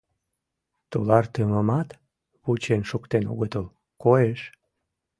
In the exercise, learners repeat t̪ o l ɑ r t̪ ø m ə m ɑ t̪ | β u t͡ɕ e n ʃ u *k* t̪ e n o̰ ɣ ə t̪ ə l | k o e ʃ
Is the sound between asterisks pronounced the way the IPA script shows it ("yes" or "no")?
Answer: yes